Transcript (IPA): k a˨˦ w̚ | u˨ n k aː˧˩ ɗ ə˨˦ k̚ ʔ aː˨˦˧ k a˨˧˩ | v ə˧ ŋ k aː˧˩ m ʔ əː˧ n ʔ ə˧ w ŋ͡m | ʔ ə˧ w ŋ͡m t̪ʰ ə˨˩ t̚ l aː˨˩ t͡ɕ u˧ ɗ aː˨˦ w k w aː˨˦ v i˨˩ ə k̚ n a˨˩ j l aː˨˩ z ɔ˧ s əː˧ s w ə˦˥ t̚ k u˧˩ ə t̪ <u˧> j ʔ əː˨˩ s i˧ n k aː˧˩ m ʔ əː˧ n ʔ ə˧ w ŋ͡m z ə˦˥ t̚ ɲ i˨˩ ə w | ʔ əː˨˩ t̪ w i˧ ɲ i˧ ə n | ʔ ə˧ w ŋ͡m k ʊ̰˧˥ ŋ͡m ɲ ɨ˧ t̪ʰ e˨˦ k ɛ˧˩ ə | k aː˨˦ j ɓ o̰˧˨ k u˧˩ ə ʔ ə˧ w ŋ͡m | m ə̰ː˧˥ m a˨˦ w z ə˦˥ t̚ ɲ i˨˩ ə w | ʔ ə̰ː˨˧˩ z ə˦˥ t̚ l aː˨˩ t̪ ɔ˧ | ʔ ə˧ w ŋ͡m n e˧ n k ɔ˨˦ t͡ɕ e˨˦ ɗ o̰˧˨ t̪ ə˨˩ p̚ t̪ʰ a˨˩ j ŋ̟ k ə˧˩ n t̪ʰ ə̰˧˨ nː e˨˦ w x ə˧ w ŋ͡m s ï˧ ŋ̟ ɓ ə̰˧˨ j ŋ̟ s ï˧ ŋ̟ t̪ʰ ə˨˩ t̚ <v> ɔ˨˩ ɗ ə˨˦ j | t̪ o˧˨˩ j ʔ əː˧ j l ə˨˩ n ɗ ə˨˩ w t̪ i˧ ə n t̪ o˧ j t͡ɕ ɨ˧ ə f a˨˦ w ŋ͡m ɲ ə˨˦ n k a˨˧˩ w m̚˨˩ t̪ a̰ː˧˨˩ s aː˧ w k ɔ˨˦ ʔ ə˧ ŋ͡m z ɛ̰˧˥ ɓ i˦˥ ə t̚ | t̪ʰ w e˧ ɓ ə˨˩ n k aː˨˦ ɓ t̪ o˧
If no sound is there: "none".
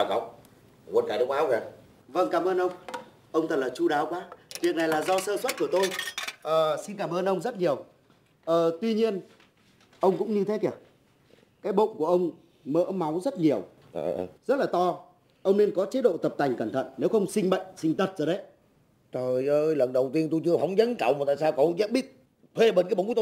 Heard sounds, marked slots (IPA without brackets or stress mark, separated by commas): o˧, z